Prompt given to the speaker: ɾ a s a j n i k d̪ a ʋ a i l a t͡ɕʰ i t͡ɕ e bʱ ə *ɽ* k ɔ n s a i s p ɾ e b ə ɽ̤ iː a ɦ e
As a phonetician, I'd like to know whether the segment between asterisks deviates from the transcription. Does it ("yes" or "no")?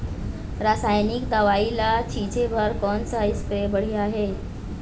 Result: yes